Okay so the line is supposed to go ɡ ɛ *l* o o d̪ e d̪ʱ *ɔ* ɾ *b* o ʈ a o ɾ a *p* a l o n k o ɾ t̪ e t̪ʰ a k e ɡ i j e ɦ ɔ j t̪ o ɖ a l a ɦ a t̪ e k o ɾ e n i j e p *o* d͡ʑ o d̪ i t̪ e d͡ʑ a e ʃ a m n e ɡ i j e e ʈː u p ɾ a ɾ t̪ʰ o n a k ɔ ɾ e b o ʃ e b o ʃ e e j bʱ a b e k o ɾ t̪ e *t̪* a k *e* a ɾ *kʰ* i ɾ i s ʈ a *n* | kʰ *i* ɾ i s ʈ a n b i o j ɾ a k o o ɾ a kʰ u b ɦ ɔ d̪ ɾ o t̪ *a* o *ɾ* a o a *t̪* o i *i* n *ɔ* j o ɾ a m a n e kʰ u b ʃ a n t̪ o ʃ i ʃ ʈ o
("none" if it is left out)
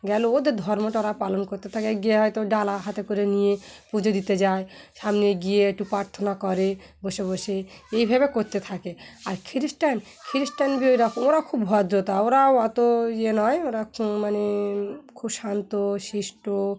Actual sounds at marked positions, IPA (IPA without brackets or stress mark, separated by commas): l, ɔ, m, p, u, t̪ʰ, e, kʰ, n, i, a, ɾ, t̪, e, ɔ